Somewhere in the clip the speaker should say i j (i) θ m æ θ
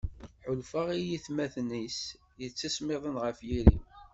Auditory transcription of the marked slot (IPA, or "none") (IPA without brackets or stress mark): i